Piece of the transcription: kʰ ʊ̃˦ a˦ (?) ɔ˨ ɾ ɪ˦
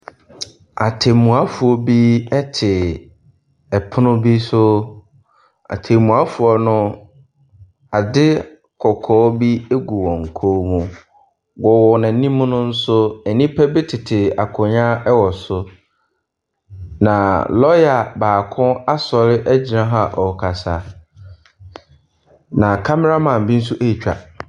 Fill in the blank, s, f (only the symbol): s